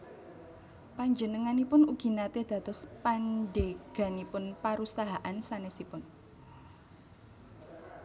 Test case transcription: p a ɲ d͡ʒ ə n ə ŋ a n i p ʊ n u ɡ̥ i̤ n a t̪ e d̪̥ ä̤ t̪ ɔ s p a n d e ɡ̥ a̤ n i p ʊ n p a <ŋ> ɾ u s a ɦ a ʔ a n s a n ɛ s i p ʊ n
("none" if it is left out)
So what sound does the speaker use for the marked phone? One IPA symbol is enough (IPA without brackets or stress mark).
none